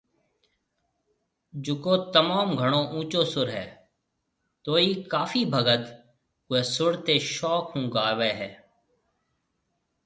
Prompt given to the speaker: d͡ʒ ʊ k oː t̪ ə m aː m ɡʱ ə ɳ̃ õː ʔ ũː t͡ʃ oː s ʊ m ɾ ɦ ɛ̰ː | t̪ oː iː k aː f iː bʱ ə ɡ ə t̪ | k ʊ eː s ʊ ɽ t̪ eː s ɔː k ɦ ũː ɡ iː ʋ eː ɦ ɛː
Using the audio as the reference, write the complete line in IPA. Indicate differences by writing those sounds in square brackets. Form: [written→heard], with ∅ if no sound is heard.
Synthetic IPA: d͡ʒ ʊ k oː t̪ ə m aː m ɡʱ ə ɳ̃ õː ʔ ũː t͡ʃ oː s ʊ [m→∅] ɾ ɦ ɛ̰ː | t̪ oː iː k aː f iː bʱ ə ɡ ə t̪ | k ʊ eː s ʊ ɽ t̪ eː [s→ʃ] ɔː k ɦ ũː ɡ [iː→aː] ʋ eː ɦ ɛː

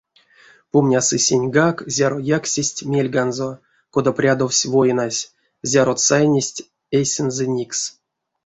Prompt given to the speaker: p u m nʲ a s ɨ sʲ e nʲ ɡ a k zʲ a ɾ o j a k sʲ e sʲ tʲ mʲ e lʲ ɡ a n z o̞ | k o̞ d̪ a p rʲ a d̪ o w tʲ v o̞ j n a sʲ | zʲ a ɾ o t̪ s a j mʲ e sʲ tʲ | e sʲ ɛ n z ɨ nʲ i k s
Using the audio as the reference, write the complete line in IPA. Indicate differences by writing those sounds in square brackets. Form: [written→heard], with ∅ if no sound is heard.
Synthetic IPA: p u m nʲ a s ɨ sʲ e nʲ ɡ a k zʲ a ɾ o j a k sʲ e sʲ tʲ mʲ e lʲ ɡ a n z o̞ | k o̞ d̪ a p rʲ a d̪ o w [tʲ→sʲ] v o̞ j n a sʲ | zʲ a ɾ o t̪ s a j [mʲ→nʲ] e sʲ tʲ | e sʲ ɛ n z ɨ nʲ i k s

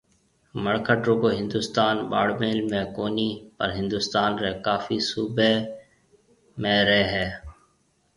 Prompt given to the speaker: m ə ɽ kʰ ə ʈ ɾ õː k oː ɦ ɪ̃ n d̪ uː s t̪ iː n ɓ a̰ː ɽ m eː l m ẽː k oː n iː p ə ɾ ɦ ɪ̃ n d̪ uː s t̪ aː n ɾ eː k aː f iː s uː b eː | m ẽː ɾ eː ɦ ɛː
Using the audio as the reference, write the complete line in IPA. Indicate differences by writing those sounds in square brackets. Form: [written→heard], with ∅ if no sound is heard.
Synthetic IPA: m ə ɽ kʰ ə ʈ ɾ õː k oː ɦ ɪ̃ n d̪ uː s t̪ [iː→aː] n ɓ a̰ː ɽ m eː l m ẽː k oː n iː p ə ɾ ɦ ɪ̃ n d̪ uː s t̪ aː n ɾ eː k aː f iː s uː b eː | m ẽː ɾ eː ɦ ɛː

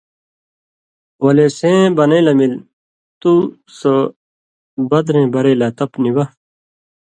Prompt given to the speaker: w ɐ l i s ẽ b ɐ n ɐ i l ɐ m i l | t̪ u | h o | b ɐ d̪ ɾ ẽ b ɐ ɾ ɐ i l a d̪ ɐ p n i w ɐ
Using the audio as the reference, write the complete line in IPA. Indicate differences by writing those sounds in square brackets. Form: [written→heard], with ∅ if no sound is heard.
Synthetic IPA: w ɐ l [i→e] s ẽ b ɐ n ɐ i l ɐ m i l | t̪ u | [h→s] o | b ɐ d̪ ɾ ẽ b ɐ ɾ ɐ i l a [d̪→t̪] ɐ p n i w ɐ

